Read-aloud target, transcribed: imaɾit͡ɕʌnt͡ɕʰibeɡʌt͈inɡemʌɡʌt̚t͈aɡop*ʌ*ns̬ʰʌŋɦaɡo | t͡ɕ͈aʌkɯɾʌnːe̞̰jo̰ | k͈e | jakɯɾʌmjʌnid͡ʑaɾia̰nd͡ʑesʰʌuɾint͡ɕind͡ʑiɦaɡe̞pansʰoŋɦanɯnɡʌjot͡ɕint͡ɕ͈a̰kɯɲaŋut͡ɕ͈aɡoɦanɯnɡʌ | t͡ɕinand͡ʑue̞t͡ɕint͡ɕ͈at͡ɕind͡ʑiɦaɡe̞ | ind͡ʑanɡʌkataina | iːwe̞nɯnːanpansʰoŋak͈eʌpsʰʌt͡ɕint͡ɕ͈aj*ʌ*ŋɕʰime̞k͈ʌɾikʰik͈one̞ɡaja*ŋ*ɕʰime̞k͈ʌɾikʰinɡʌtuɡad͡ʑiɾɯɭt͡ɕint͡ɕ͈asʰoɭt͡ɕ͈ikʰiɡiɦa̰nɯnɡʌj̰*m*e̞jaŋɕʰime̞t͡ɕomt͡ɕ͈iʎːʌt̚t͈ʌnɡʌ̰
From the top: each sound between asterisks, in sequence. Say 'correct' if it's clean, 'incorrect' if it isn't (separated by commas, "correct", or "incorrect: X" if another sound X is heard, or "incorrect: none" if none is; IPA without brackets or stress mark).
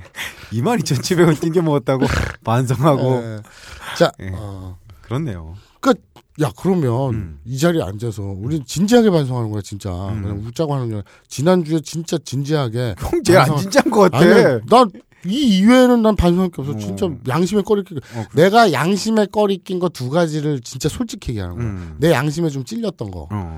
incorrect: a, incorrect: a, correct, incorrect: n